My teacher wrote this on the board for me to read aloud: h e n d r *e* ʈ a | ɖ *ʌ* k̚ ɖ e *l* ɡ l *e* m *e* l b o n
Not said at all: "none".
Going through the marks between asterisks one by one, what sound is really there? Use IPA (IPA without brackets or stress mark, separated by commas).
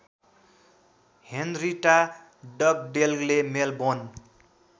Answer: i, ʌ, l, e, e